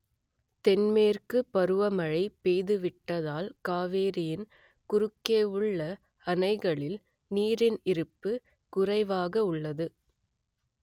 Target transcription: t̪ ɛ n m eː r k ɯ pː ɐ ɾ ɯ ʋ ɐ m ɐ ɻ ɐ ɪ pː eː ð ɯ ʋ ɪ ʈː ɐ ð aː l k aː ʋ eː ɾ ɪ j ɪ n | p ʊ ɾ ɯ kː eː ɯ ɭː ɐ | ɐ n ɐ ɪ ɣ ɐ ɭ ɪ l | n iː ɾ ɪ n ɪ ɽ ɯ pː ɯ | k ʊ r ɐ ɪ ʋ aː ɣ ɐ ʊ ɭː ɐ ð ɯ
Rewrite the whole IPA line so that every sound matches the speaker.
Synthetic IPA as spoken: t̪ ɛ n m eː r k ɯ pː ɐ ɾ ɯ ʋ ɐ m ɐ ɻ ɐ ɪ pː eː ð ɯ ʋ ɪ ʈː ɐ ð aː l k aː ʋ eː ɾ ɪ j ɪ n | k ʊ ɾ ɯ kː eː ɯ ɭː ɐ | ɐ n ɐ ɪ ɣ ɐ ɭ ɪ l | n iː ɾ ɪ n ɪ ɾ ɯ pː ɯ | k ʊ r ɐ ɪ ʋ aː ɣ ɐ ʊ ɭː ɐ ð ɯ